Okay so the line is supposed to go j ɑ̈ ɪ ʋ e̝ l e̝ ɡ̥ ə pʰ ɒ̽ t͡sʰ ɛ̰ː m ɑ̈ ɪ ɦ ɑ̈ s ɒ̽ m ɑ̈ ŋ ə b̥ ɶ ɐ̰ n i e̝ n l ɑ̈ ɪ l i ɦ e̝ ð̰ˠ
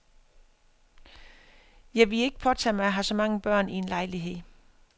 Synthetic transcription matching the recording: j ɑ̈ ɪ ʋ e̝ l e̝ ɡ̥ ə pʰ ɒ̽ t͡sʰ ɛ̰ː m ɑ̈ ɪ ɦ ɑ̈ s ɒ̽ m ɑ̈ ŋ ə b̥ ɶ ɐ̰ n i e̝ n l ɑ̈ ɪ l i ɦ e̝ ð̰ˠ